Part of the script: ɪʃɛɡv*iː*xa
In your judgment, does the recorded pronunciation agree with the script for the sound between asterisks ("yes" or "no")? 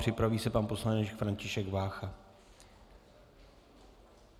no